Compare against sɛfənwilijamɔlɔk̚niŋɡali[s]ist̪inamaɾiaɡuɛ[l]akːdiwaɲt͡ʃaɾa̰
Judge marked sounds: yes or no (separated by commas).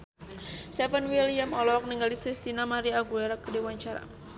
yes, no